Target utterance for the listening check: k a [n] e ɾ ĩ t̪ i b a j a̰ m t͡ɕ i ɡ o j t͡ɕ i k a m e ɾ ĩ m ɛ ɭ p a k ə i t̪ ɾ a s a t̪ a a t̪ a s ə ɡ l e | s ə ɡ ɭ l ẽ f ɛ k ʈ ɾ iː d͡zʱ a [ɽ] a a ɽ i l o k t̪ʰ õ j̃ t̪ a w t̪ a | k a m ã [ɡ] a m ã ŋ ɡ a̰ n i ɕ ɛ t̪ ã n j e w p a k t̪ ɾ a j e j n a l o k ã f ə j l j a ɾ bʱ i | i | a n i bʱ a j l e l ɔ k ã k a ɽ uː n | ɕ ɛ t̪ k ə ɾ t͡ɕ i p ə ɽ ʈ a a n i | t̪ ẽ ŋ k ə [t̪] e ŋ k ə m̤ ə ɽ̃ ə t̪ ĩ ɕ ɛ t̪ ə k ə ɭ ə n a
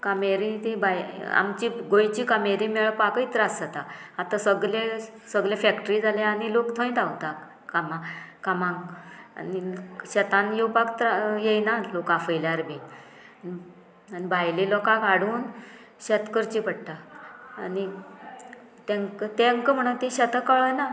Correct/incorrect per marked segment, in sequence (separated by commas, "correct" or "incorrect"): incorrect, incorrect, incorrect, correct